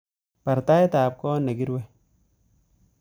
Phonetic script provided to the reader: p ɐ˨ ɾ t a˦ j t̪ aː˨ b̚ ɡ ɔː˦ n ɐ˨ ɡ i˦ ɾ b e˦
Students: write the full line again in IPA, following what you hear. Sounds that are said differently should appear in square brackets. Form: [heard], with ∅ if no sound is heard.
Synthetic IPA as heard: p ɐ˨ ɾ t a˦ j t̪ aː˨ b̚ [k] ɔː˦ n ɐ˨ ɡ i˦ ɾ [w] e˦